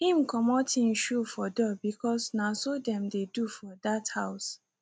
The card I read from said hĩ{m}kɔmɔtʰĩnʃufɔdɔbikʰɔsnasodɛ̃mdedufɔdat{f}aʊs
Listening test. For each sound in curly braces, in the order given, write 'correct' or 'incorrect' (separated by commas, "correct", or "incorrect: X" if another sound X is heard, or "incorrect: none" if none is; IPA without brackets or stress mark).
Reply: correct, incorrect: h